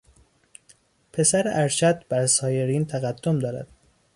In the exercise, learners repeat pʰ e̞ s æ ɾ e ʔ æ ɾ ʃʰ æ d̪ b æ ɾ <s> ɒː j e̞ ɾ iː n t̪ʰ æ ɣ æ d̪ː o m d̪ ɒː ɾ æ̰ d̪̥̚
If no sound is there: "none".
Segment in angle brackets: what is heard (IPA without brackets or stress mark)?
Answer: s